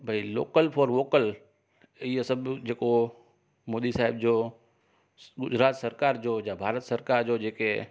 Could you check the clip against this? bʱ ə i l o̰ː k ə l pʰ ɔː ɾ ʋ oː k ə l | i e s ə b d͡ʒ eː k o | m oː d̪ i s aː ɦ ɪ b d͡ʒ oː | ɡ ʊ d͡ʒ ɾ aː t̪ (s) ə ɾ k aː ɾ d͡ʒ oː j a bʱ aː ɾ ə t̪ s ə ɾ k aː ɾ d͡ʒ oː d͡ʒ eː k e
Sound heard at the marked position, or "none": s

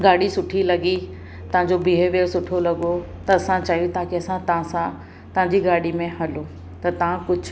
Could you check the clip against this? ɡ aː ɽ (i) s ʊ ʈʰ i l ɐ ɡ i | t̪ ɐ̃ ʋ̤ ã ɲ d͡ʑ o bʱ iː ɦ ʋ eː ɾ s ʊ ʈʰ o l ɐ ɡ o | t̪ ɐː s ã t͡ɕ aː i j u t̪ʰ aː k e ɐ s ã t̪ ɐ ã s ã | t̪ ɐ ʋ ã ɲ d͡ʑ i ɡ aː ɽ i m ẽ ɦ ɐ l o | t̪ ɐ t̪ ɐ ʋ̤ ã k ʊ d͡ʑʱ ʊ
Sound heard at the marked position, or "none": i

